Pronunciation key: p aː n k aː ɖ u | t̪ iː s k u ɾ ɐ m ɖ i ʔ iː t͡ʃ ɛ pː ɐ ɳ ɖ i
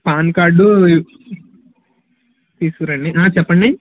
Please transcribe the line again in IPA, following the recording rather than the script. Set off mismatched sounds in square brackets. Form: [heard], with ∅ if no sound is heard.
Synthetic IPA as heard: p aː n k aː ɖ u | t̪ iː s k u ɾ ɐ [ɳ] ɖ i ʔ [aː] t͡ʃ ɛ pː ɐ ɳ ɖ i